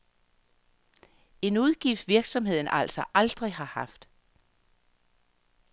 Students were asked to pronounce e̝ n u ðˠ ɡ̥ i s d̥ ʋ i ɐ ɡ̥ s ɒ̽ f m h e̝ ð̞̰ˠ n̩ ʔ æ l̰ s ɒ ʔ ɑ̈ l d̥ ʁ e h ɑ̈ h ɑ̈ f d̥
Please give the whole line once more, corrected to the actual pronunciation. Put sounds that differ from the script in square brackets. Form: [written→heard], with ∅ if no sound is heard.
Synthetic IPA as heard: e̝ n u ðˠ ɡ̥ i [s→f] d̥ ʋ i ɐ ɡ̥ s ɒ̽ [f→∅] m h e̝ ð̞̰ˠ n̩ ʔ æ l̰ s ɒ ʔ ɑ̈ l d̥ ʁ [e→i] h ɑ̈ h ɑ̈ f d̥